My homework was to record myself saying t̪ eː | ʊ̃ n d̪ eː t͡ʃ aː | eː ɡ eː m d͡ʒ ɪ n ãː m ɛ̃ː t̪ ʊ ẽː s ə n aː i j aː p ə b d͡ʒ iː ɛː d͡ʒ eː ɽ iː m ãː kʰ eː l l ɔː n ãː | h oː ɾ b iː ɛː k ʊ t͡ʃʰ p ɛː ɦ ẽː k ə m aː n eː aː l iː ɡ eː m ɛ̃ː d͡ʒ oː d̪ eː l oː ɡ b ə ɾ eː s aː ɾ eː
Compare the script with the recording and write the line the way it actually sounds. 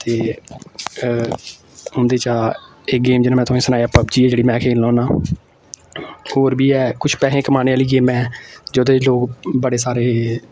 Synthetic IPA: t̪ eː | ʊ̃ n d̪ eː t͡ʃ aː | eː ɡ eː m d͡ʒ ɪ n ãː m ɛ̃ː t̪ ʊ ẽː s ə n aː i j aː p ə b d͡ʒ iː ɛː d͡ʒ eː ɽ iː m ɛ̃ː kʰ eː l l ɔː n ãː | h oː ɾ b iː ɛː k ʊ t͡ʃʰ p ɛː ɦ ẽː k ə m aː n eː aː l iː ɡ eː m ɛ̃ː d͡ʒ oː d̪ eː l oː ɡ b ə ɽ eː s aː ɾ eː